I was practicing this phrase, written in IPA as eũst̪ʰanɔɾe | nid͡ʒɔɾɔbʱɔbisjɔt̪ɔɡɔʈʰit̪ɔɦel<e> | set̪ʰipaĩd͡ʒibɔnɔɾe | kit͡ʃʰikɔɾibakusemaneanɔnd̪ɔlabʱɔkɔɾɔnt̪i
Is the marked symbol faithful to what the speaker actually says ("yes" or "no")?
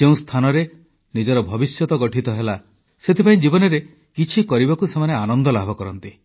no